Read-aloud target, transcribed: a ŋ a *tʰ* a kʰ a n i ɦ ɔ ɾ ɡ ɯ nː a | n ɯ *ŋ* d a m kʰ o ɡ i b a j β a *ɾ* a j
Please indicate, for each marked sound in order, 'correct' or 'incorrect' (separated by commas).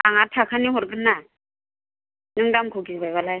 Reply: correct, correct, incorrect